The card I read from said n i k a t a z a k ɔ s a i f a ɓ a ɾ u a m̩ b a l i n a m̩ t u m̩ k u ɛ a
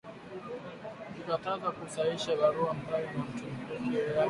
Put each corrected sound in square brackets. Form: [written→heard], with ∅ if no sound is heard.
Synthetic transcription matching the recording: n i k a t a z a k [ɔ→u] s a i [f→ʃ] a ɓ a ɾ u a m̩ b a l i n a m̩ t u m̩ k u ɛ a